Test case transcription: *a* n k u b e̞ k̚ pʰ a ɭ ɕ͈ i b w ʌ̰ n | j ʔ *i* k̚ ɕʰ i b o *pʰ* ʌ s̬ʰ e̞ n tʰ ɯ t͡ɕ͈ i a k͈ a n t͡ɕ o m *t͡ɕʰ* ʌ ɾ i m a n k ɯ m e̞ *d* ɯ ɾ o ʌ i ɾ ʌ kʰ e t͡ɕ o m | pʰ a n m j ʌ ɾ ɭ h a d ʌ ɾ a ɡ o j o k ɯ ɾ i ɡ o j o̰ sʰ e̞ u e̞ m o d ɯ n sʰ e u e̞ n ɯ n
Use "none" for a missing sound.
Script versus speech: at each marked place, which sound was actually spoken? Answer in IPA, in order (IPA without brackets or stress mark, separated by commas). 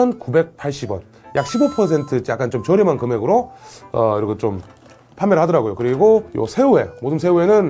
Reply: ʌ, a, pʰ, t͡ɕ, ɡ